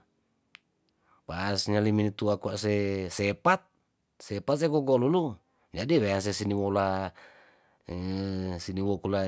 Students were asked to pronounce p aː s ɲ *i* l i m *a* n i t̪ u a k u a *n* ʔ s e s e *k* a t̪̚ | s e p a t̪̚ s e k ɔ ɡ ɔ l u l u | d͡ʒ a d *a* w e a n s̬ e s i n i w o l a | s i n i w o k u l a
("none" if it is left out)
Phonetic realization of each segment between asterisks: a, i, none, p, i

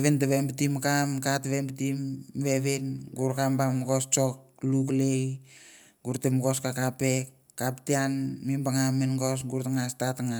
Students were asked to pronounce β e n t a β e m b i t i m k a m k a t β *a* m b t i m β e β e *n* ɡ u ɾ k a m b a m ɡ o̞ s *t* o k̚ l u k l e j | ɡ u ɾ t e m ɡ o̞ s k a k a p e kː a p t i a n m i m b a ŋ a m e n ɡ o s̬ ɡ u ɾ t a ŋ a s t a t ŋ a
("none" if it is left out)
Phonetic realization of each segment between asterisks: e, n, t͡ʃ

